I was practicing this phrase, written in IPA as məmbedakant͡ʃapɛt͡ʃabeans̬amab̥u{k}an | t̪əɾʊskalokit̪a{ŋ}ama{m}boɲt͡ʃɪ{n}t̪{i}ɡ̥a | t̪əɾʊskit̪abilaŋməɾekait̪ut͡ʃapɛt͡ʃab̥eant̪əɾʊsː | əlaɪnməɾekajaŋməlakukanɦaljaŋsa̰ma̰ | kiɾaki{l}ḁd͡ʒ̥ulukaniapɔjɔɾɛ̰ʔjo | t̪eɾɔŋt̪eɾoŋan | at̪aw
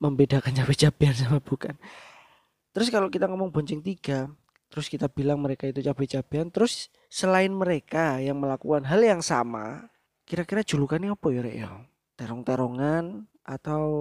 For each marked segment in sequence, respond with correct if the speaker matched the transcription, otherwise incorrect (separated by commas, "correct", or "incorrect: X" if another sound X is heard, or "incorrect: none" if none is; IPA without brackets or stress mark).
correct, correct, incorrect: ŋ, incorrect: ŋ, correct, incorrect: ɾ